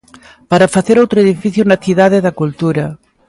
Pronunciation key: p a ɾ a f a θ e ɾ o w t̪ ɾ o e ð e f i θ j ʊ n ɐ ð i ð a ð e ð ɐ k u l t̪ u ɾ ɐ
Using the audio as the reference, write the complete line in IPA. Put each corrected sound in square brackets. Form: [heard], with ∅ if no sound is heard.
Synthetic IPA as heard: p a ɾ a f a θ e ɾ o w t̪ ɾ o e ð [i] f i θ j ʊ n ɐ [θ] i ð a ð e ð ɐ k u l t̪ u ɾ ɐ